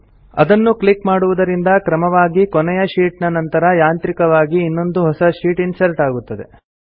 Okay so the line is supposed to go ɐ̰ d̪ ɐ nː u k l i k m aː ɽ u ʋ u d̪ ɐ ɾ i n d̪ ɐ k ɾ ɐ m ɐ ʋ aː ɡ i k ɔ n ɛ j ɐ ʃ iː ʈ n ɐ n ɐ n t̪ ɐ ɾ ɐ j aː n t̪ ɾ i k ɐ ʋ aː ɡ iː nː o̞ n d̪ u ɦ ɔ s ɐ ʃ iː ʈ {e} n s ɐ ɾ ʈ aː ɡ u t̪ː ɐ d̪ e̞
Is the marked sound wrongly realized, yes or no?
yes